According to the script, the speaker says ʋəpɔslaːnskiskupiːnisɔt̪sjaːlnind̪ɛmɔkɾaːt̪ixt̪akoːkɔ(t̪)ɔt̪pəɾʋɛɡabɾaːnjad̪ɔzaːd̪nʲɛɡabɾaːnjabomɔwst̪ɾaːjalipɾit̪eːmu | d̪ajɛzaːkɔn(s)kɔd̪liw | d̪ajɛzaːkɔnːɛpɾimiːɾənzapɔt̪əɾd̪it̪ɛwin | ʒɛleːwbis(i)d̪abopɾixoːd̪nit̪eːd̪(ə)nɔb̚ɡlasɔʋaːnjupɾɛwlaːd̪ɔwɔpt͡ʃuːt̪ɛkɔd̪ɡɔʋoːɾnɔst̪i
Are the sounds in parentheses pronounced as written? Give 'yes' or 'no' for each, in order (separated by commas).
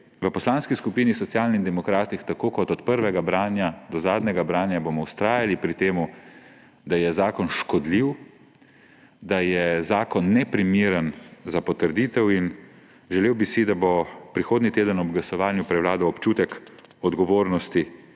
yes, no, yes, yes